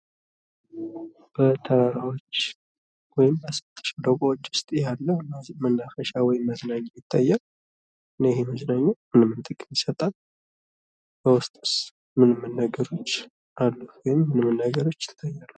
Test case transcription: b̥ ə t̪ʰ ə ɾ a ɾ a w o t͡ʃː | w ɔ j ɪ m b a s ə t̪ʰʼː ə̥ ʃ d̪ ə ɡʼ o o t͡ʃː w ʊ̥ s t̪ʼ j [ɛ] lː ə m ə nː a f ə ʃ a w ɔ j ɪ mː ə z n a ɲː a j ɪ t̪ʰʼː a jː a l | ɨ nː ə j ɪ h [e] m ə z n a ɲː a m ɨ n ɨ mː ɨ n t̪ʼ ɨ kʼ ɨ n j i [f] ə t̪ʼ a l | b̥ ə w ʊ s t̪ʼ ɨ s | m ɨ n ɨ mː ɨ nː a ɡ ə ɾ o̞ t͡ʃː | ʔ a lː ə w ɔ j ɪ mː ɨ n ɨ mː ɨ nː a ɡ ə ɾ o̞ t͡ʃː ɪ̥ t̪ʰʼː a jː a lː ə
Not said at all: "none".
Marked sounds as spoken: a, e, s

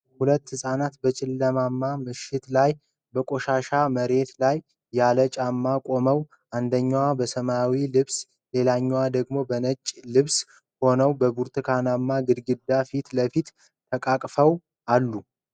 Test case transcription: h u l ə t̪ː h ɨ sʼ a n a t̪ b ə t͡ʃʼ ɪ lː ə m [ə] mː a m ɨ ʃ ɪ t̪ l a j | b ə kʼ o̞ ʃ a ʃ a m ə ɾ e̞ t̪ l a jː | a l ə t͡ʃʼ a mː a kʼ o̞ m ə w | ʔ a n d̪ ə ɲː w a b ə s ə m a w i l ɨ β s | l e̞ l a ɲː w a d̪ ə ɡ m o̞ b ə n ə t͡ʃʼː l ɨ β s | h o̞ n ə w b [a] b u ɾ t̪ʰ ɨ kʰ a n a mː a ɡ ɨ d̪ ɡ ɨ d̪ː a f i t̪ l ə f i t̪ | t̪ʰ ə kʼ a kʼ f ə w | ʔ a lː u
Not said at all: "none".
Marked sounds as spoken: a, ə

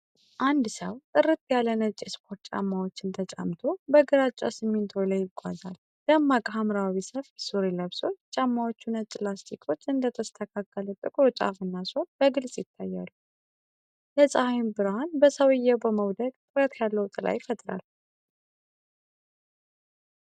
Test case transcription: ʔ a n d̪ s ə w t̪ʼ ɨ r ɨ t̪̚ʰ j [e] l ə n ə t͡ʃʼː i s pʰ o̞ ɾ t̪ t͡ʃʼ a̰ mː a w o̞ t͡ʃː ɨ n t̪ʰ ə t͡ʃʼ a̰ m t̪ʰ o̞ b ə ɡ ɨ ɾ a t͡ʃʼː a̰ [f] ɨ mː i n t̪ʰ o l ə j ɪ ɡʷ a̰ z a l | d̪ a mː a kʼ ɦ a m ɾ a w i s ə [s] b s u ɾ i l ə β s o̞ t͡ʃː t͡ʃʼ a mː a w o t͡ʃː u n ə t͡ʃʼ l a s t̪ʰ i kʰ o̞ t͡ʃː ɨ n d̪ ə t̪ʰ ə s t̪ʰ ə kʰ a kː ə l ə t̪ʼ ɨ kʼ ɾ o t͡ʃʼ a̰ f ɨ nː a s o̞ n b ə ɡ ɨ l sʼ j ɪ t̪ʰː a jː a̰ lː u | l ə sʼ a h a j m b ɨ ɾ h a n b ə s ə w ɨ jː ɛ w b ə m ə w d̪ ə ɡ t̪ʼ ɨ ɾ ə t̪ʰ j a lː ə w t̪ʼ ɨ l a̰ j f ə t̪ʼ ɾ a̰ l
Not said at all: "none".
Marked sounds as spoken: a, s, f

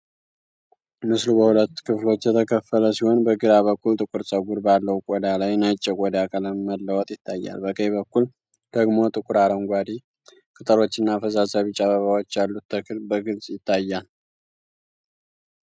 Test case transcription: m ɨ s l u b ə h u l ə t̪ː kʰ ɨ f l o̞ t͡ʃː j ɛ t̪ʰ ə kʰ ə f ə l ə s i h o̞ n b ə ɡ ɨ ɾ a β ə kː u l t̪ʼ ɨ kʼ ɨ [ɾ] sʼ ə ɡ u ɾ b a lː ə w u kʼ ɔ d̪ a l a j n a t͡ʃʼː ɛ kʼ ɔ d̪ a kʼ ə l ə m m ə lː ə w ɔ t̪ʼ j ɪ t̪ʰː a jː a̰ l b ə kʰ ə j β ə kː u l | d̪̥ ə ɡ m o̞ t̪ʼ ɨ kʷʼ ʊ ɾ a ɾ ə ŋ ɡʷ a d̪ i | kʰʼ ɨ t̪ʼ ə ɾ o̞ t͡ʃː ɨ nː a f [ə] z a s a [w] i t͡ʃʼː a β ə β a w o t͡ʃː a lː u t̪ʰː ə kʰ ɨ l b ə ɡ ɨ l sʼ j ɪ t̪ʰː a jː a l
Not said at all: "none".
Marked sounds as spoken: ɾ, ə, β

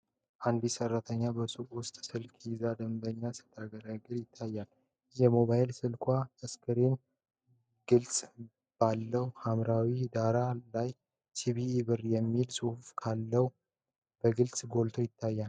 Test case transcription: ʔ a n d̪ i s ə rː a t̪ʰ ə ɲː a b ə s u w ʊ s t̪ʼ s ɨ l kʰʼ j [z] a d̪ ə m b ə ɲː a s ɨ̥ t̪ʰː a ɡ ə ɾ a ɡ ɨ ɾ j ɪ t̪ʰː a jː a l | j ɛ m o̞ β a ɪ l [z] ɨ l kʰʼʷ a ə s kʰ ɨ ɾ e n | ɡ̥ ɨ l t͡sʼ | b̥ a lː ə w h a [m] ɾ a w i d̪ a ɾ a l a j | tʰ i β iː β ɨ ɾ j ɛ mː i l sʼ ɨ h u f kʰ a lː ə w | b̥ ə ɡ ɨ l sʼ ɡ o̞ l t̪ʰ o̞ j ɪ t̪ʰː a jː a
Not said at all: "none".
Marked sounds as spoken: z, s, m

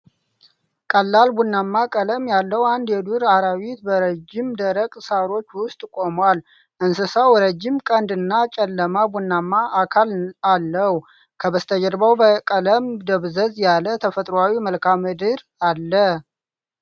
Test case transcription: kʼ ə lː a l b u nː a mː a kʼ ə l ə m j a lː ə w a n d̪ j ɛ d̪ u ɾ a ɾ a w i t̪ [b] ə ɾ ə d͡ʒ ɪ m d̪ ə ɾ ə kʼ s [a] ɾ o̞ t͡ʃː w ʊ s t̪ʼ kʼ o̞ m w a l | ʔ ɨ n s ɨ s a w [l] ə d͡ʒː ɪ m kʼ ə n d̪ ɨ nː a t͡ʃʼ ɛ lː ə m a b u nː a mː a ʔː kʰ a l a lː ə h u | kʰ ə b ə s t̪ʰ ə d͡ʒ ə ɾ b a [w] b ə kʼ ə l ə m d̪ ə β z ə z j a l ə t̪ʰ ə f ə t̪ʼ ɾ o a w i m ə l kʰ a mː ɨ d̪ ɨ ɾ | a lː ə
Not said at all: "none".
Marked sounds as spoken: b, a, ɾ, w

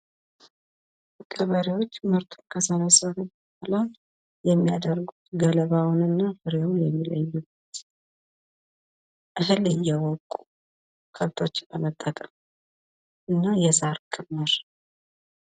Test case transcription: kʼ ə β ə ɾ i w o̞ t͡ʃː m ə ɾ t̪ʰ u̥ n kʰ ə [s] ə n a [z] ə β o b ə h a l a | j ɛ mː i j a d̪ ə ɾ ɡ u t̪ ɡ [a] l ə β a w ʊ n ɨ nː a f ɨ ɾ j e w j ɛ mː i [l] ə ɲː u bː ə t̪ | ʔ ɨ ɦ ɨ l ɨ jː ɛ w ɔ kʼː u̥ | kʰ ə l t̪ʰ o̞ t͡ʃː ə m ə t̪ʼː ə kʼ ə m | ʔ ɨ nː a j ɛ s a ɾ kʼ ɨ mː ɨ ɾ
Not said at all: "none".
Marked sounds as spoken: s, s, ə, l

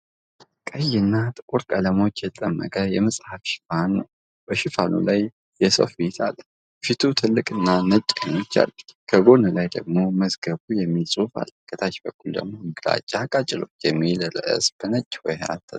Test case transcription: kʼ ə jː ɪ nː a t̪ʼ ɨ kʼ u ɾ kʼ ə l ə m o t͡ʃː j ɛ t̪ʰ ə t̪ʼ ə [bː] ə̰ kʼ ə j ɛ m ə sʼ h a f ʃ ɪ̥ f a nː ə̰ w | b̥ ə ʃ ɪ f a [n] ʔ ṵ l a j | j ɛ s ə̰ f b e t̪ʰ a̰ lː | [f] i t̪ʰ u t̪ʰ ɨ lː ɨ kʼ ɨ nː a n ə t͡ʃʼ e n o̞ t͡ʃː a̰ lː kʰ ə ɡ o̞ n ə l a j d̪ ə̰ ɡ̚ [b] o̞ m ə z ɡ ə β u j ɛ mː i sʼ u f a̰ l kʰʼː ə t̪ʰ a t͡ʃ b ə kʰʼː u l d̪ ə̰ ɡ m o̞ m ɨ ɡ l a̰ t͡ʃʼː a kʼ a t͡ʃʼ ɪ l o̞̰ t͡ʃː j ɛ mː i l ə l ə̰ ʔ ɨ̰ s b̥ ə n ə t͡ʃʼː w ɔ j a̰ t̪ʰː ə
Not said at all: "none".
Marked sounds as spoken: mː, n, f, m

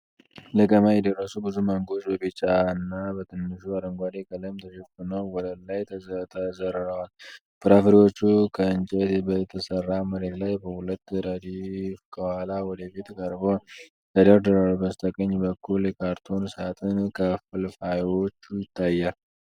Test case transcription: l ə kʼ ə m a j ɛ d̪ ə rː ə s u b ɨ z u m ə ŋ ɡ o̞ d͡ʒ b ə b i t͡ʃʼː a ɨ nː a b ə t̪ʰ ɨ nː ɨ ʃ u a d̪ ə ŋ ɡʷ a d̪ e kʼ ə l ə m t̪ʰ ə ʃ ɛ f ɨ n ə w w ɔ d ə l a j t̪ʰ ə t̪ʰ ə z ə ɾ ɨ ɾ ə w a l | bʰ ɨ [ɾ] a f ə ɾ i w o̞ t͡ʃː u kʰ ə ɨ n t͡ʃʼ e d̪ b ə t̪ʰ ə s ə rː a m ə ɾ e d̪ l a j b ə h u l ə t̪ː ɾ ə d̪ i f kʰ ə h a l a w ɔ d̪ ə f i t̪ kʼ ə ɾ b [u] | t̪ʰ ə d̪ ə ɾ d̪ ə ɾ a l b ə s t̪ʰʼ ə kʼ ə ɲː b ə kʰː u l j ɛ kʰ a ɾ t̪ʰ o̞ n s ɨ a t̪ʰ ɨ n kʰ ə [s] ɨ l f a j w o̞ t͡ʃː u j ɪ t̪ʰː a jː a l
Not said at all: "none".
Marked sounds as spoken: ɾ, o, f

